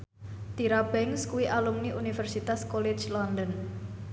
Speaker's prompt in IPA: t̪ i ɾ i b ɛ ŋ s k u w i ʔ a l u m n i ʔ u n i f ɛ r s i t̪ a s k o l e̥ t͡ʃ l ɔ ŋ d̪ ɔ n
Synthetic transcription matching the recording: t̪ i ɾ a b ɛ ŋ s k u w i ʔ a l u m n i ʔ u n i f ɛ r s i t̪ a s k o l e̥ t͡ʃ l ɔ n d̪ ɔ n